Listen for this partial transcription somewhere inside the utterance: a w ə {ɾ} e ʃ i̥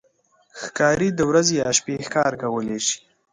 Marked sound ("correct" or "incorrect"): incorrect